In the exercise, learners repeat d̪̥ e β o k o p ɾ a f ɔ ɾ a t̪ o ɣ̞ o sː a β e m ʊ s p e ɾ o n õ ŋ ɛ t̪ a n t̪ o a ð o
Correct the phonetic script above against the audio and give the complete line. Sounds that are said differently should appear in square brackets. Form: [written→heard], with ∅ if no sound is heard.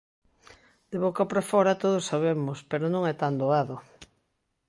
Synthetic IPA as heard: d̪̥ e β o k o p ɾ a f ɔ ɾ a t̪ o [ɣ̞→ð̞] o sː a β e m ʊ s p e ɾ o n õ ŋ ɛ t̪ a n [t̪→d̪] o a ð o